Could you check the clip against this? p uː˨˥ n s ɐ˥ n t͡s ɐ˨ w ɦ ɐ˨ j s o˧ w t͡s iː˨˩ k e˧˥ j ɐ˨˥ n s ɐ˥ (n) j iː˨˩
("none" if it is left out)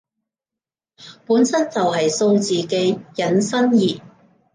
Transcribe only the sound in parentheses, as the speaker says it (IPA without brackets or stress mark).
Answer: n